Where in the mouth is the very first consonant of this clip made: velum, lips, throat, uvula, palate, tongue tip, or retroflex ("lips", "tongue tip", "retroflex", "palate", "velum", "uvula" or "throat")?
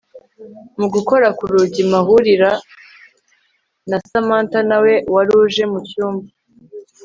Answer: lips